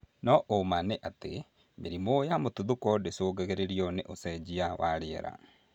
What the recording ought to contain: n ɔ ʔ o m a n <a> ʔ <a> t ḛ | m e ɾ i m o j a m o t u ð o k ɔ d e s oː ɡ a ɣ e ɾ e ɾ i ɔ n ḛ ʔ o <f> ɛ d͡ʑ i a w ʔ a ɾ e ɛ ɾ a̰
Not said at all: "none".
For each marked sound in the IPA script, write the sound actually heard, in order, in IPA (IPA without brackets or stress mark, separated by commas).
e, a, s